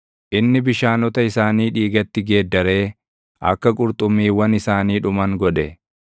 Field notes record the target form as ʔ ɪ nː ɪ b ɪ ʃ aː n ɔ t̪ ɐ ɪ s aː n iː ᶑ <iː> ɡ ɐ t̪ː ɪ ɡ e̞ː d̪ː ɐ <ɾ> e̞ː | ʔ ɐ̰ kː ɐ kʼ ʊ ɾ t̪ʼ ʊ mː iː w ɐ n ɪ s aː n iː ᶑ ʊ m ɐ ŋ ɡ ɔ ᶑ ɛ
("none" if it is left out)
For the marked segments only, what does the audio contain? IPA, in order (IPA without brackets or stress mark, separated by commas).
iː, ɾ